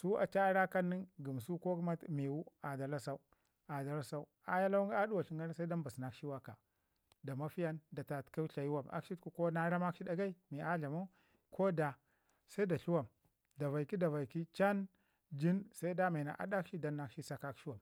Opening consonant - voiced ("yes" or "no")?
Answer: no